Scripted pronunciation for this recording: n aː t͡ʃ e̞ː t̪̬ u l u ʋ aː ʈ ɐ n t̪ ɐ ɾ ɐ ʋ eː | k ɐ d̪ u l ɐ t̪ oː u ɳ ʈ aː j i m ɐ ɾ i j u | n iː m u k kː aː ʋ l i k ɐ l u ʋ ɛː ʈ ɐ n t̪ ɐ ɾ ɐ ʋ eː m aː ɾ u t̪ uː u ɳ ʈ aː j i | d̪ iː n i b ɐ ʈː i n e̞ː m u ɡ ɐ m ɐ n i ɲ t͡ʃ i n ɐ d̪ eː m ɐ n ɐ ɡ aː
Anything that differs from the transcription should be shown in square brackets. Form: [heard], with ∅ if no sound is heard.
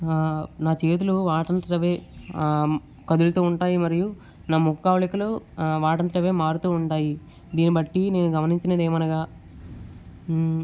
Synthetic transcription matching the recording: n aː t͡ʃ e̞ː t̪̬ u l u ʋ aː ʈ ɐ n t̪ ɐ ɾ ɐ ʋ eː | k ɐ d̪ u l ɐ t̪ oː u ɳ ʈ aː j i m ɐ ɾ i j u | n [aː] m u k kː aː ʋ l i k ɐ l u ʋ [aː] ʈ ɐ n t̪ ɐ ɾ ɐ ʋ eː m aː ɾ u t̪ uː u ɳ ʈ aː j i | d̪ iː n i b ɐ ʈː i n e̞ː [n] u ɡ ɐ m ɐ n i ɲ t͡ʃ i n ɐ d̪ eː m ɐ n ɐ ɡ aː